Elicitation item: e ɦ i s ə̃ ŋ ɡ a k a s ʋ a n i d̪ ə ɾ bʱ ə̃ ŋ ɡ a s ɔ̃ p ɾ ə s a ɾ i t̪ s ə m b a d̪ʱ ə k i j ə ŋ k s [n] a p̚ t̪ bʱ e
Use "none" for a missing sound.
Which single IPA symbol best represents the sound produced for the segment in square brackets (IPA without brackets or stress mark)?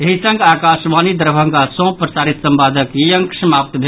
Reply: m